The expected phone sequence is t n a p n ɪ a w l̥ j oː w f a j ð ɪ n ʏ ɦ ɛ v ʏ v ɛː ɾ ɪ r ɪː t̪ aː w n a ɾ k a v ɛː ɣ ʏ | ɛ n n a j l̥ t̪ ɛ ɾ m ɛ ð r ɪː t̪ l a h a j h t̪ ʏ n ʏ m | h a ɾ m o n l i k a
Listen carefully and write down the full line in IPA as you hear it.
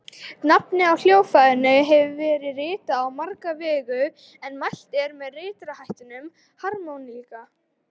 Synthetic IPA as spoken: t n a p n ɪ a w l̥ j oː w f a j ð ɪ n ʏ ɦ ɛ v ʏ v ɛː ɾ ɪ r ɪː t̪ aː w m a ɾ k a v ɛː ɣ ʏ | ɛ n m a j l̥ t̪ ɛ ɾ m ɛ ð r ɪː t̪ ɾ a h a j h t̪ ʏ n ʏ m | h a ɾ m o n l i k a

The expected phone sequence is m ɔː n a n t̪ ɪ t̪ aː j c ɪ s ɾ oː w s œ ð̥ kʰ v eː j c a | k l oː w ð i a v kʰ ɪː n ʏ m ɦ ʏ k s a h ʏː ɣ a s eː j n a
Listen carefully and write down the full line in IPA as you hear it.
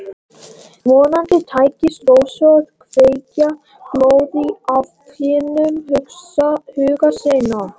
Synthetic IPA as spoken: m ɔː n a n t̪ ɪ t̪ʰ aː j c ɪ s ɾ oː w s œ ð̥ kʰ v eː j c a | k l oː w ð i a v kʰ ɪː n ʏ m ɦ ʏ k s a h ʏː ɣ a s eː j n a

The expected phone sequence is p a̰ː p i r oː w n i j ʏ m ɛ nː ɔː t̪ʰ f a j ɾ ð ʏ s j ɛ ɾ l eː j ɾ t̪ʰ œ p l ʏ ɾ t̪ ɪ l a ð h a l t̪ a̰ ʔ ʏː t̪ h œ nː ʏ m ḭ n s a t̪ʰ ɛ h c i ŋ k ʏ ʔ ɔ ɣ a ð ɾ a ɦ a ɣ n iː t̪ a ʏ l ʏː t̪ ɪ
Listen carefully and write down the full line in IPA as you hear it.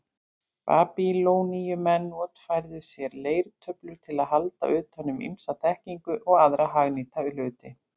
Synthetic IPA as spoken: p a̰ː p i l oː w n i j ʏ m ɛ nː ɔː t̪ f a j ɾ ð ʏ s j ɛ ɾ l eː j ɾ t̪ʰ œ p l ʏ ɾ t̪ʰ ɪ l a ð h a l t̪ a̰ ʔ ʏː t̪ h œ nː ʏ m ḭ m s a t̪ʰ ɛ h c i ŋ k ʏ ʔ ɔ ɣ a ð ɾ a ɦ a ɣ n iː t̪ a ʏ l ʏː t̪ ɪ

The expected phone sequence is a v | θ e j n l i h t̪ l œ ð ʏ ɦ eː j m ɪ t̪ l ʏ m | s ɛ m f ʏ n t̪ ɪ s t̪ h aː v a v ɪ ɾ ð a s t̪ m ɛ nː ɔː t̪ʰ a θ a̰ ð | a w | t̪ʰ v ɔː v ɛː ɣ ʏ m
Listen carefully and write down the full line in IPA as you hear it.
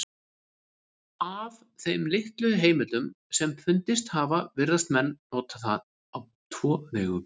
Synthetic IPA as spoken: a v | θ e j m l ɪ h t̪ l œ ð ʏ ɦ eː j m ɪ t̪ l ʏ m | s ɛ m f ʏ n t̪ ɪ s t̪ h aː v a v ɪ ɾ ð a s t̪ m ɛ nː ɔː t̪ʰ a θ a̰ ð | a w | t̪ʰ v ɔː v ɛː ɣ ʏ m

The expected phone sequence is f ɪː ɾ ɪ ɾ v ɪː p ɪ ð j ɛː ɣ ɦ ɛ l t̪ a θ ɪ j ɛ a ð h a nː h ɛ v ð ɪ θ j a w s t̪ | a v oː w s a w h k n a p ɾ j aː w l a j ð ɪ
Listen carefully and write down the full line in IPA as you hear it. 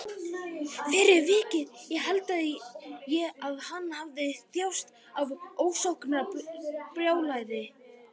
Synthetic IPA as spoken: f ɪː ɾ ɪ ɾ v ɪː c ɪ ð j ɛ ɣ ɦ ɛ l t̪ a ð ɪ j ɛ a ð h a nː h a v ð ɪ θ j a w s t̪ | a v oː w s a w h k n a p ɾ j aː w l a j ð ɪ

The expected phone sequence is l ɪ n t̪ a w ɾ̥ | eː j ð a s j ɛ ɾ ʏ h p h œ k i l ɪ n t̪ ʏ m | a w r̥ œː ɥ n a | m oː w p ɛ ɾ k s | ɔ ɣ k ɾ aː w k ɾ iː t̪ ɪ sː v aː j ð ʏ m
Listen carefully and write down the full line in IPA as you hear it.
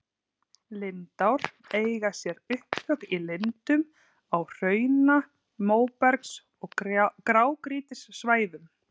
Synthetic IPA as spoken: l ɪ n t̪ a w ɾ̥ | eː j ɣ a s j ɛ ɾ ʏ h p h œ k i l ɪ n t̪ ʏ m | a w r̥ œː ɥ n a | m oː w p ɛ ɾ k s | ɔ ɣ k ɾ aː w k ɾ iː t̪ ɪ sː v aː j ð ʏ m

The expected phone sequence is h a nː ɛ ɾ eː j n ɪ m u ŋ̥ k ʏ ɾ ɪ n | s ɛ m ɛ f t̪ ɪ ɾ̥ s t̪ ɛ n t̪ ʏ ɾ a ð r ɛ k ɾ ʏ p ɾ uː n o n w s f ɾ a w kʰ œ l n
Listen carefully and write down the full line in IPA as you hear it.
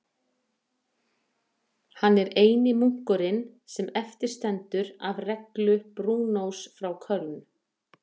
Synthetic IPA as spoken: h a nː ɛ ɾ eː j n ɪ m u ŋ̥ k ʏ ɾ ɪ n | s ɛ m ɛ f t̪ ɪ ɾ̥ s t̪ ɛ n t̪ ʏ ɾ a v r ɛ k l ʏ p ɾ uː n o w s f ɾ a w kʰ œ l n

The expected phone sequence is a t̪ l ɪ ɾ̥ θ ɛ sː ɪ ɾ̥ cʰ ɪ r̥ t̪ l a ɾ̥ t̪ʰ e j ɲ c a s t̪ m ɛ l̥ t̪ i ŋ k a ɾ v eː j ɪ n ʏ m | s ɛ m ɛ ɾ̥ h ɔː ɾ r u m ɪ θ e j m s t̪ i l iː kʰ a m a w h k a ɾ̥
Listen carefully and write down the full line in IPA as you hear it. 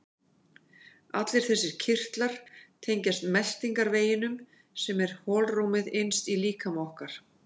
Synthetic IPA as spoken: a t̪ l ɪ ɾ̥ θ ɛ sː ɪ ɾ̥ cʰ ɪ r̥ t̪ l a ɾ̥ t̪ʰ e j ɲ c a s t̪ m ɛ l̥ t̪ i ŋ k a ɾ v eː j ɪ n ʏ m | s ɛ m ɛ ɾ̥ h ɔː l r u m ɪ ð e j n s t̪ i l iː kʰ a m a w h k a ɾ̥

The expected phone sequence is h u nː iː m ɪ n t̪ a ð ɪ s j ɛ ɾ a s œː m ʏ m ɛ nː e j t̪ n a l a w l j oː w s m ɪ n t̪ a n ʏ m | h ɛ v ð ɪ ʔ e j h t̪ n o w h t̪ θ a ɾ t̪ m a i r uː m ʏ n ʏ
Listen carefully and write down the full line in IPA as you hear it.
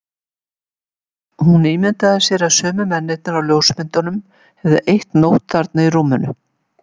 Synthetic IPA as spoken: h u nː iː m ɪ n t̪ a ð ɪ s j ɛ ɾ a s œː m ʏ m ɛ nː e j t̪ n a ɾ a w l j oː w s m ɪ n t̪ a n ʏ m | h ɛ v ð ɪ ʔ e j h t̪ n o w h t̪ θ a ɾ t̪ n a i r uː m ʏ n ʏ

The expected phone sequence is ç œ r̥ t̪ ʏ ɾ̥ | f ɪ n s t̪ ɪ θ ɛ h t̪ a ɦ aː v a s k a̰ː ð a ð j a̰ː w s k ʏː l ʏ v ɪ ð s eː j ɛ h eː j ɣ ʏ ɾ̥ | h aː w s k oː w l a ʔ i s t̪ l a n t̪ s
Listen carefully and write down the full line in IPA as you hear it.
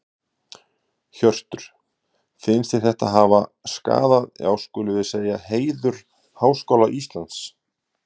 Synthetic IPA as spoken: ç œ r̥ t̪ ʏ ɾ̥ | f ɪ n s t̪ ɪ θ ɛ h t̪ a ɦ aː v a s k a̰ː ð a ð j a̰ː w s k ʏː l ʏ v ɪ ð s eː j a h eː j ð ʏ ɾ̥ | h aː w s k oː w l a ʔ i s t̪ l a n t̪ s

